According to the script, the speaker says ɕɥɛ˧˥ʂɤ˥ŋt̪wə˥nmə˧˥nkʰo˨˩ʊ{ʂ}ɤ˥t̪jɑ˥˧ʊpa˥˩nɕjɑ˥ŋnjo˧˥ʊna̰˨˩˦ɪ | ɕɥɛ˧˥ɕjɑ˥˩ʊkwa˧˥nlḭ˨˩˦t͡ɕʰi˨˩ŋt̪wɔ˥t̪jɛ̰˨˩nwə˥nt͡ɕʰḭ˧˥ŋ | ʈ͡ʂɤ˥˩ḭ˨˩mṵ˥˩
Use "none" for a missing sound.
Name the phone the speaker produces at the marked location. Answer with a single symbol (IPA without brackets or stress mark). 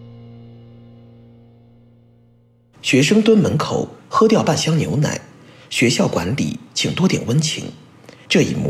x